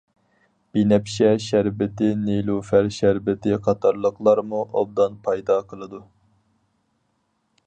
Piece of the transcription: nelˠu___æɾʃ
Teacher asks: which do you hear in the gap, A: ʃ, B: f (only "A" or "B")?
B